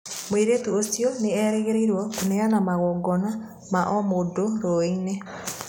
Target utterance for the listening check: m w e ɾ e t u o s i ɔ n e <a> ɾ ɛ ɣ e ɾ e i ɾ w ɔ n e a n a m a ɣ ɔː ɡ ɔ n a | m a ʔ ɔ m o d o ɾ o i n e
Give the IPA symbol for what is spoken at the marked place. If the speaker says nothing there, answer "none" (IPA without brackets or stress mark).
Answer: ɛ